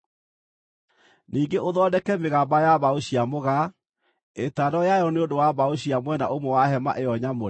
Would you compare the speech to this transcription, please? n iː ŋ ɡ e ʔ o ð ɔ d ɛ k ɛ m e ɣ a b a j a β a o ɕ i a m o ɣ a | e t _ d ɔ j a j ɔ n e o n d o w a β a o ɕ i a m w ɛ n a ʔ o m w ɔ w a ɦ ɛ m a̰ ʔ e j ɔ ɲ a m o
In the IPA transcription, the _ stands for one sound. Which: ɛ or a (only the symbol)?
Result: a